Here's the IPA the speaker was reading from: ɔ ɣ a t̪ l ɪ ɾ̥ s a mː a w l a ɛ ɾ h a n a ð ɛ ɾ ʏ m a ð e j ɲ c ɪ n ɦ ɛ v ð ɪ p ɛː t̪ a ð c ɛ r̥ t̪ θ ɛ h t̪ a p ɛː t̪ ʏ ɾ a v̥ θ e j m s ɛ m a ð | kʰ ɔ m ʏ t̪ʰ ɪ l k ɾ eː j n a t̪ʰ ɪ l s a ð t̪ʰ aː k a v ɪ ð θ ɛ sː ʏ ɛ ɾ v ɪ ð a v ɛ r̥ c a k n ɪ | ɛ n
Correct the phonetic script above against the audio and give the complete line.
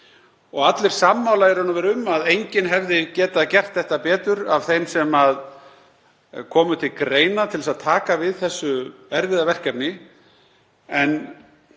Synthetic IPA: ɔ ɣ a t̪ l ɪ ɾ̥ s a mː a w l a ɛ ɾ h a n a v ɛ ɾ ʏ m a ð e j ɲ c ɪ n ɦ ɛ v ð ɪ c ɛː t̪ a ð c ɛ r̥ t̪ θ ɛ h t̪ a p ɛː t̪ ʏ ɾ a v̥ θ e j m s ɛ m a ð | kʰ ɔː m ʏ t̪ʰ ɪ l k ɾ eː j n a t̪ʰ ɪ l s a ð t̪ʰ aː k a v ɪ ð θ ɛ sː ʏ ɛ ɾ v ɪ ð a v ɛ r̥ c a p n ɪ | ɛ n